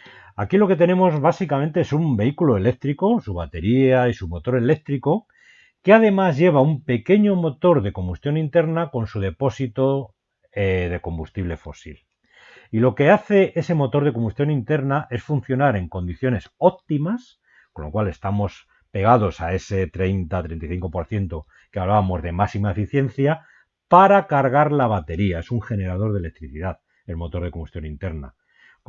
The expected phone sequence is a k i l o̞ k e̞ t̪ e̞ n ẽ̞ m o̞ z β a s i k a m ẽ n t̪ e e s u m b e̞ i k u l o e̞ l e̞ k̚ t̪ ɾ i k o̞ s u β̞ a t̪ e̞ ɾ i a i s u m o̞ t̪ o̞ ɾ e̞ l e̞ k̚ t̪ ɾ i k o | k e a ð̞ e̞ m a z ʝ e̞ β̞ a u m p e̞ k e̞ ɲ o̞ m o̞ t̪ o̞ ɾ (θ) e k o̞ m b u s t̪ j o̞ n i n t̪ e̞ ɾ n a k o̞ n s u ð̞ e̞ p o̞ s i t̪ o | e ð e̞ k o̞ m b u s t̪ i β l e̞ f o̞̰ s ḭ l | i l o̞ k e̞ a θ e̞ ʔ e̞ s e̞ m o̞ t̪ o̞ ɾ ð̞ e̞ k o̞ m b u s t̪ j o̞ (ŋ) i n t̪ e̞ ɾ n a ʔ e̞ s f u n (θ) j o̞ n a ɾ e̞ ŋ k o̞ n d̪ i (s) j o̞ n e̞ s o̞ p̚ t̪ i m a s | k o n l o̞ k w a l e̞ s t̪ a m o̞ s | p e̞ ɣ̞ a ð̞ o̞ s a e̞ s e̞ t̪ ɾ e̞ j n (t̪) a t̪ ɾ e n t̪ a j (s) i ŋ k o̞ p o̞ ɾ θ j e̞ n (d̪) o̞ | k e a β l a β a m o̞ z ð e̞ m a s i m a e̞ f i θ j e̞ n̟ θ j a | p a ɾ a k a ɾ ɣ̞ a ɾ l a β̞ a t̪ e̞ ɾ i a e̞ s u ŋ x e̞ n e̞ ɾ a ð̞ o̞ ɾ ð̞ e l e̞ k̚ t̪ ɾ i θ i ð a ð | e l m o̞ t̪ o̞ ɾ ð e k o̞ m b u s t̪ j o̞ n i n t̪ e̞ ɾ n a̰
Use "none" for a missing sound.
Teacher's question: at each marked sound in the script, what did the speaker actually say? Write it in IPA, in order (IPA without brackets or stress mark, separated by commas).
ð, n, θ, θ, t̪, θ, t̪